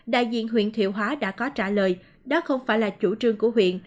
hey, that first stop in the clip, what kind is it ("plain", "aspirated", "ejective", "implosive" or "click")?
implosive